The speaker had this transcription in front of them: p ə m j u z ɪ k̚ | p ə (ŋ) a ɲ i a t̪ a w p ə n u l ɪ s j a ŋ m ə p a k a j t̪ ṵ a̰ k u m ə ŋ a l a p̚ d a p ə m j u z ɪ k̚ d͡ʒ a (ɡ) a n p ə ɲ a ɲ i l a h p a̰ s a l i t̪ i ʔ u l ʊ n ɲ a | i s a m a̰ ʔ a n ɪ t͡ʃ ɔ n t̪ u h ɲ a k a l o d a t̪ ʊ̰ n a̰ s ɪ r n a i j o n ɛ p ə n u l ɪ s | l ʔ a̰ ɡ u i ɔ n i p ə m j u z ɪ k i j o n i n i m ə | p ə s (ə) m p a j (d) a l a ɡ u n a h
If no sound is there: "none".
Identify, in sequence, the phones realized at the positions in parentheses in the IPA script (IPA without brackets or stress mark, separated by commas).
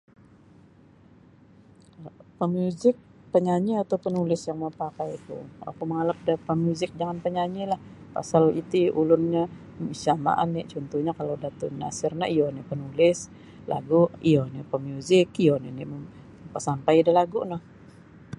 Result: ɲ, ŋ, a, d